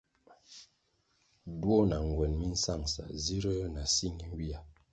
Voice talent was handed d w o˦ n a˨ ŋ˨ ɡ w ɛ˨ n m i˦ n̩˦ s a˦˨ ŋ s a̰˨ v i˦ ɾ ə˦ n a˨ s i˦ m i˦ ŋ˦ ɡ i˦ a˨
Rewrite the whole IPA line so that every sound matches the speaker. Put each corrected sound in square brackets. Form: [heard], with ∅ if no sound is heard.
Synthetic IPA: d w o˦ n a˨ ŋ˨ ɡ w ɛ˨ n m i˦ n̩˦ s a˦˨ ŋ s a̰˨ [z] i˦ ɾ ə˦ n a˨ s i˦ [ŋ] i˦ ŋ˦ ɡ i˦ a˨